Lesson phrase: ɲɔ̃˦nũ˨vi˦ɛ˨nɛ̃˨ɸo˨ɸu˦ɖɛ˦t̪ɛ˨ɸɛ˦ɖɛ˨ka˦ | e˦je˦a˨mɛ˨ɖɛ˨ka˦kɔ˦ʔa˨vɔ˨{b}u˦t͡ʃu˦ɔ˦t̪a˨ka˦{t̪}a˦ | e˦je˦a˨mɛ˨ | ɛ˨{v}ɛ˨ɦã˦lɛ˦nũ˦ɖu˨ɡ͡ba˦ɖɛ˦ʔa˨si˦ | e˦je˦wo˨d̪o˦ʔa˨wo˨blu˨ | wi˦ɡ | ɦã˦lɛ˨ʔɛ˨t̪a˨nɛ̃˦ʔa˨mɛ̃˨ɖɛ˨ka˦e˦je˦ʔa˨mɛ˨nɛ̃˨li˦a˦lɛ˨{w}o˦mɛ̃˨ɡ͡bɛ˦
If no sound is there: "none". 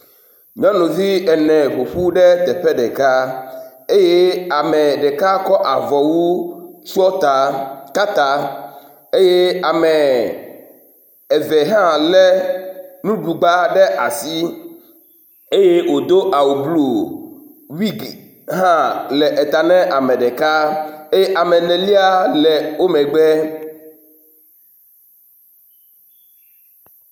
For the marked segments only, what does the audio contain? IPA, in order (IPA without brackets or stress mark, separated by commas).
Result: w, t̪, v, w